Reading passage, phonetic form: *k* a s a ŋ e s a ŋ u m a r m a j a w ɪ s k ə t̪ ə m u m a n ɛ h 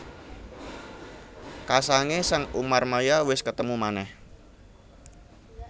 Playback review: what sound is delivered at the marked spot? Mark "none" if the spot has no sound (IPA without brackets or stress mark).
k